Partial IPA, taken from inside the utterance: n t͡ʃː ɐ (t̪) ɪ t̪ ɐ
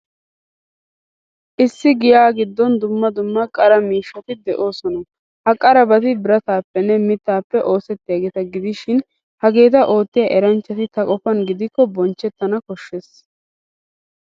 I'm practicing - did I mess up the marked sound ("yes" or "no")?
no